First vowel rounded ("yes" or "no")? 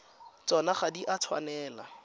yes